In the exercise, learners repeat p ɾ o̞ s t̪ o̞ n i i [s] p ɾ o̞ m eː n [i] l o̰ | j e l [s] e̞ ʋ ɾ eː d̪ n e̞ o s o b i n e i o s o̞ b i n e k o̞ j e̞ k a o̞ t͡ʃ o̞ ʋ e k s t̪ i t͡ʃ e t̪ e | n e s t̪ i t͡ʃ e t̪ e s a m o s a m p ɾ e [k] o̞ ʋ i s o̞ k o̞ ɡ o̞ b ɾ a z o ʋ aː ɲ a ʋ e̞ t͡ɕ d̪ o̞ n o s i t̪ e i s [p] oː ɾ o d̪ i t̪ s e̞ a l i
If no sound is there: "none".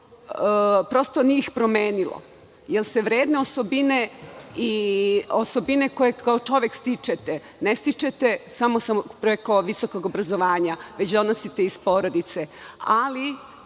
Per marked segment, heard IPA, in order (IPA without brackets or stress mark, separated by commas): x, i, s, k, p